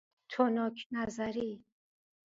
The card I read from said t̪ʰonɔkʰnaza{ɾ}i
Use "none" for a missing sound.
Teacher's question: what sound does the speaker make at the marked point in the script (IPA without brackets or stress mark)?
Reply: ɾ